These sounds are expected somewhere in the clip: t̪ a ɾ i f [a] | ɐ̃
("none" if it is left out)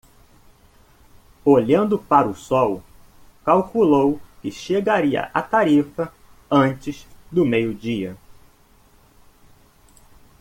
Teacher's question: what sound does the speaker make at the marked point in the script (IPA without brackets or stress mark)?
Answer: ɐ